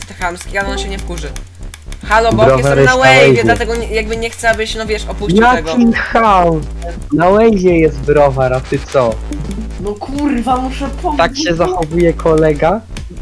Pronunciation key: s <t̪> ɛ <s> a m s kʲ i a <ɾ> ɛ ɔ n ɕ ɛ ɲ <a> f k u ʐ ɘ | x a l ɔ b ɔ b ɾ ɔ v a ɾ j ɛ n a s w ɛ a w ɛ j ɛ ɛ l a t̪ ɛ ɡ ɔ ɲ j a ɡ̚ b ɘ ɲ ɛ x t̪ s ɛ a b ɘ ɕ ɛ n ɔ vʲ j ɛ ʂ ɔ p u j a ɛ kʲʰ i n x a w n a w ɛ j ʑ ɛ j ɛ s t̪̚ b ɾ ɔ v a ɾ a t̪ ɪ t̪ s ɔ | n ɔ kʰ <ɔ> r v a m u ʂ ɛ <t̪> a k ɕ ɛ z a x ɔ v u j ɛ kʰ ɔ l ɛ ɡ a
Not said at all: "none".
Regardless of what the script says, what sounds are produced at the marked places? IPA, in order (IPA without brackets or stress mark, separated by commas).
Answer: t̪, x, l, ɛ, u, t̪